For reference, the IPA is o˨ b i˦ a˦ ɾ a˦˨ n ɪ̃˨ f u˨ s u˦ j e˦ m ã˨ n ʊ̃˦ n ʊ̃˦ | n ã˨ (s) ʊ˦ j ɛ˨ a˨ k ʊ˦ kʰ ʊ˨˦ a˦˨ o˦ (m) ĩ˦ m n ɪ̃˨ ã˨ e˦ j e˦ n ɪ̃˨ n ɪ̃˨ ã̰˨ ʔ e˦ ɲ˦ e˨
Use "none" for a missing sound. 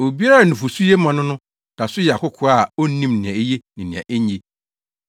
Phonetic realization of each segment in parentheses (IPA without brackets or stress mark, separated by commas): s, n